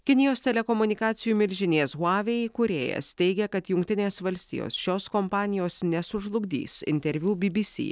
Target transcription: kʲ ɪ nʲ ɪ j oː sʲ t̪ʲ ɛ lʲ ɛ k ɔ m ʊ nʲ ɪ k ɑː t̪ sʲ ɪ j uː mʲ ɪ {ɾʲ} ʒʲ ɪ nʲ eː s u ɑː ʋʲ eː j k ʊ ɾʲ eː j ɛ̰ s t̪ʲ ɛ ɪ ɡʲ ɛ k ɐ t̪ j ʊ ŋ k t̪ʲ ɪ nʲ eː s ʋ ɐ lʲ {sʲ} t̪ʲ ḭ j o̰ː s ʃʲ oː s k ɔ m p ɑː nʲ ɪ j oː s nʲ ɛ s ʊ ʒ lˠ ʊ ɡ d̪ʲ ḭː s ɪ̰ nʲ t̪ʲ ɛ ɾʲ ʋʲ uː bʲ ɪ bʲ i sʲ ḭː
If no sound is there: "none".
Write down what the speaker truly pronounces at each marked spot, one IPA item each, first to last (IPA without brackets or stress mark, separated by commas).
lʲ, sʲ